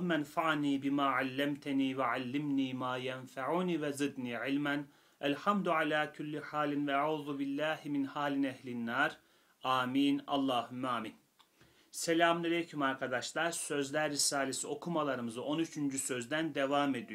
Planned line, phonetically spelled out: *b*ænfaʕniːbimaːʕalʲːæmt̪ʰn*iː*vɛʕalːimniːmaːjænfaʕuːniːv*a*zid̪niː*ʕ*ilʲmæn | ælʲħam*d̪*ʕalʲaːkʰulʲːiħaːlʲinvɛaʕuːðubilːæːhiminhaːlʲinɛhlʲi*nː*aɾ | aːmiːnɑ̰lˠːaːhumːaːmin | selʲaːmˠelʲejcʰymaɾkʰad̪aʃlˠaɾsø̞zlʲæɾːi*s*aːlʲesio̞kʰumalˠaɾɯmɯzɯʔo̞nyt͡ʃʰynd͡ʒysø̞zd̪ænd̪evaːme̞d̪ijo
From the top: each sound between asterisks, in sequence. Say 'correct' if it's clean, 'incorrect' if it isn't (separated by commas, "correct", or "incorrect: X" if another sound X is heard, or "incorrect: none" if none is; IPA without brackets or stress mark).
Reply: incorrect: m, correct, incorrect: ɛ, correct, correct, correct, correct